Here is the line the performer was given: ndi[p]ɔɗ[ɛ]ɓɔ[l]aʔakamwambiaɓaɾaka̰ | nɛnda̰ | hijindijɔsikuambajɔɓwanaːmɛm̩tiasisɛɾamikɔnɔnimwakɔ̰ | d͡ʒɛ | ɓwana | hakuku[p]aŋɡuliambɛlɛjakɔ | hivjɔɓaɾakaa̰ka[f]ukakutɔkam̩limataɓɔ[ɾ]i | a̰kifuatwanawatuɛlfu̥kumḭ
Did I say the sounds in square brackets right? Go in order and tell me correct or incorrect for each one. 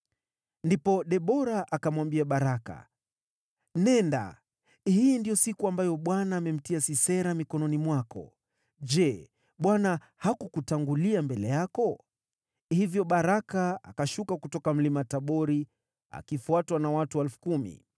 correct, correct, incorrect: ɾ, incorrect: t, incorrect: ʃ, correct

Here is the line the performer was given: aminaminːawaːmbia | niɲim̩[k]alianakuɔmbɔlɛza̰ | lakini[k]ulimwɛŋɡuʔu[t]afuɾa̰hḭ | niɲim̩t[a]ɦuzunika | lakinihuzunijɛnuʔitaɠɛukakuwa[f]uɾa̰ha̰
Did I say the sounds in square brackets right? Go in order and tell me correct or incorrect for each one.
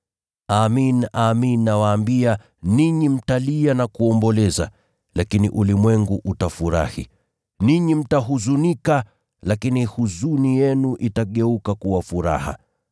incorrect: t, incorrect: ʔ, correct, correct, correct

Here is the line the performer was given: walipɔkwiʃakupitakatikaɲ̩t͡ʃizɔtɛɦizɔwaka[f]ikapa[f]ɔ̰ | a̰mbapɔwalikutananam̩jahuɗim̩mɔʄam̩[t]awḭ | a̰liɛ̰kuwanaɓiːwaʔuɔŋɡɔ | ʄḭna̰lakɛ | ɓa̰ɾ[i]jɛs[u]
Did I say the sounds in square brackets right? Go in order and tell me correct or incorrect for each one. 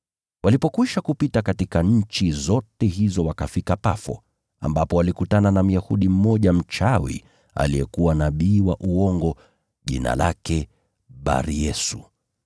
correct, correct, incorrect: t͡ʃ, correct, correct

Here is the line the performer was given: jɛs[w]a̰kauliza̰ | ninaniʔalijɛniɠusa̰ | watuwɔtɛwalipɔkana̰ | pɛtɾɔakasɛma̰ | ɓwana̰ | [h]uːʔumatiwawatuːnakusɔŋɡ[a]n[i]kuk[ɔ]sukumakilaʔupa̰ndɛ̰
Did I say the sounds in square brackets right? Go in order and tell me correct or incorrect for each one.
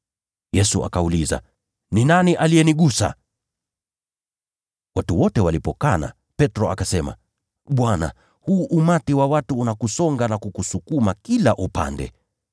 incorrect: u, correct, correct, incorrect: a, incorrect: u

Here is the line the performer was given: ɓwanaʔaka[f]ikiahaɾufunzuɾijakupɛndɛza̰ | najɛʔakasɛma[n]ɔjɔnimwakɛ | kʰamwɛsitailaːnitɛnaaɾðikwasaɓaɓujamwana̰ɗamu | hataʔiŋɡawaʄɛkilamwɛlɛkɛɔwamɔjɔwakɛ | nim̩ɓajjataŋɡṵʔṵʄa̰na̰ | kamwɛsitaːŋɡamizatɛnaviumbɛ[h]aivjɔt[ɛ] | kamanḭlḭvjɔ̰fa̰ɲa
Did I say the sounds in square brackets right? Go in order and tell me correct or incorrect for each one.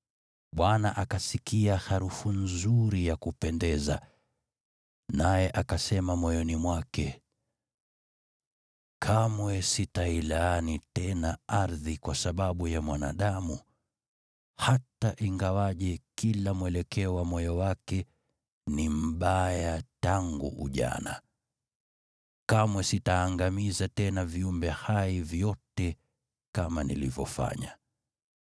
incorrect: s, incorrect: m, correct, correct

